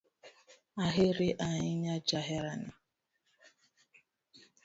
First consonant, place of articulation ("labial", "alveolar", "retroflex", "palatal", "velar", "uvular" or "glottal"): glottal